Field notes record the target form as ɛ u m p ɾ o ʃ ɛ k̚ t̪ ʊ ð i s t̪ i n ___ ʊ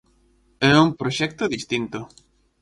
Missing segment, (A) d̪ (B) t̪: B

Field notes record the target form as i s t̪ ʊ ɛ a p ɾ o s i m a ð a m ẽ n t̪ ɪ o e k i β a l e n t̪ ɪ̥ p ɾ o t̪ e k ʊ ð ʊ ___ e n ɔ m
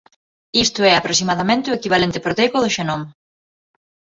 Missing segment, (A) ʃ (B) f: A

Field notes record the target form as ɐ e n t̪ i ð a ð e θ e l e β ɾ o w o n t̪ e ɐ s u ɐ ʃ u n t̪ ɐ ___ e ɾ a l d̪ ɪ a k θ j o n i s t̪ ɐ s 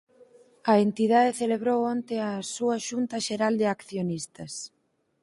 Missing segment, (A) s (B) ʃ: B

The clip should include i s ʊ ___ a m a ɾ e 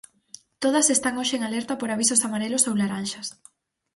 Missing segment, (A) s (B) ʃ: A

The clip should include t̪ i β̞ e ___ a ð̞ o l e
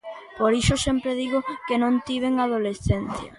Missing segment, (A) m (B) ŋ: B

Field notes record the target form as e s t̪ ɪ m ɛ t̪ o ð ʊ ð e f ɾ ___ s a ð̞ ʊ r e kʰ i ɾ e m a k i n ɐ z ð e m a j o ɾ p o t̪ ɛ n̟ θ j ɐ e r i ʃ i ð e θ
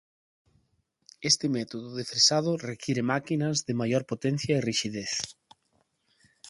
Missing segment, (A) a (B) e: B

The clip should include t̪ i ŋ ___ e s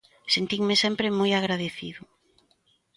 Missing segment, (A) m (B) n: A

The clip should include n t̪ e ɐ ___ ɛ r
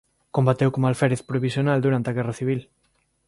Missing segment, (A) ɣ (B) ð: A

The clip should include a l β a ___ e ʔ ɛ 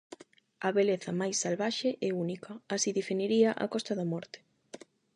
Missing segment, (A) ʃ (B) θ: A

